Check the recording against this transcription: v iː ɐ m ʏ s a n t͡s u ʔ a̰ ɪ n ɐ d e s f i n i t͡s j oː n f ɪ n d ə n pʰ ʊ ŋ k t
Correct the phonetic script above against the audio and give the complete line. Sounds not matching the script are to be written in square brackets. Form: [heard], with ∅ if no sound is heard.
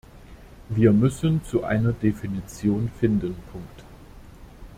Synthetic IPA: v iː ɐ m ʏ s [ə] n t͡s u ʔ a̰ ɪ n ɐ d e [∅] f i n i t͡s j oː n f ɪ n d ə n pʰ ʊ ŋ k t